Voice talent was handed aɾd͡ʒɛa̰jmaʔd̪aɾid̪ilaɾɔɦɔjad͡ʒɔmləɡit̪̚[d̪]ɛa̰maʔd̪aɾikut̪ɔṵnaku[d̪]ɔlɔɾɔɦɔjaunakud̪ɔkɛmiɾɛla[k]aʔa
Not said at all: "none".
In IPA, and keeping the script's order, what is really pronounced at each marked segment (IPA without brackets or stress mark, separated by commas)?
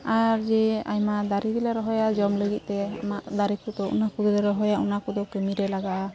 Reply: t̪, d̪, ɡ